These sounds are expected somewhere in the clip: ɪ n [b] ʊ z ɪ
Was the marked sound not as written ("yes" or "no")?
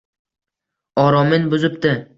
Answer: no